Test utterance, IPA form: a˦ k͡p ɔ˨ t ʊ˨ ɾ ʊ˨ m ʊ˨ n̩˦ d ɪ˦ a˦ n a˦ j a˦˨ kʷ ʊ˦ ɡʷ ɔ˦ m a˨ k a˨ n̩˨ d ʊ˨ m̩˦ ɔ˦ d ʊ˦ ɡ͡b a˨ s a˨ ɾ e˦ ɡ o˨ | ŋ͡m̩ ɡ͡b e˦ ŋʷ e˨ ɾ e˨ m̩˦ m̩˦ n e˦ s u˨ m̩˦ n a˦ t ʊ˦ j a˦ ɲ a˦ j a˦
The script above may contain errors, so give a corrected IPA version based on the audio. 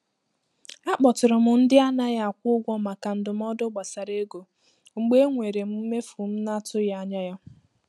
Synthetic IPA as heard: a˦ k͡p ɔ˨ t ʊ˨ ɾ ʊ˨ m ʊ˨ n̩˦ d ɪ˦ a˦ n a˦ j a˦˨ kʷ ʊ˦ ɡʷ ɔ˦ m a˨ k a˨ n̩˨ d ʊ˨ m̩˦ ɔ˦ d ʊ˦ ɡ͡b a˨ s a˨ ɾ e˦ ɡ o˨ | ŋ͡m̩ ɡ͡b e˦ ŋʷ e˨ ɾ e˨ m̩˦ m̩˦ m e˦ f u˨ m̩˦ n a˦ t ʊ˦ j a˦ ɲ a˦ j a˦